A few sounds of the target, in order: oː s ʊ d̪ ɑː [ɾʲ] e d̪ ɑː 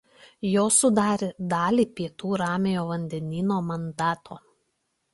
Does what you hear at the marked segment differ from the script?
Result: no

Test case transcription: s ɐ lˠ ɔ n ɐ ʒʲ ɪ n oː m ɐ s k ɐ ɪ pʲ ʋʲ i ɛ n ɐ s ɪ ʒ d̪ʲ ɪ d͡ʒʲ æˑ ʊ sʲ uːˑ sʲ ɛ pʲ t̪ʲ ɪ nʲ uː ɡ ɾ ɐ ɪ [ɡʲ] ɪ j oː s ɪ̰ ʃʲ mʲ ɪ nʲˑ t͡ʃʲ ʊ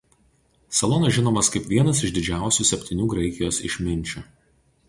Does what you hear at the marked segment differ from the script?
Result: yes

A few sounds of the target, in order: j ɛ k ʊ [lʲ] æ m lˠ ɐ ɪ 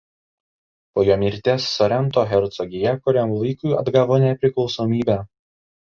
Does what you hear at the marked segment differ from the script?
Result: yes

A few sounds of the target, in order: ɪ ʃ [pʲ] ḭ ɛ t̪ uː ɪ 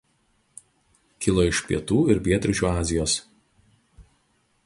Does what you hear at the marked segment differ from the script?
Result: no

